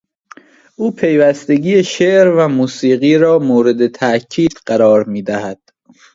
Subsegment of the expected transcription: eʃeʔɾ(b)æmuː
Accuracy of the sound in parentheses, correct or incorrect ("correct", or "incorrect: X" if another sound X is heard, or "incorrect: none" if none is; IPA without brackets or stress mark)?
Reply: incorrect: v